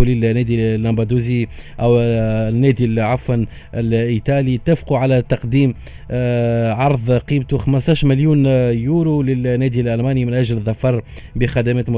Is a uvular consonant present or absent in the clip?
present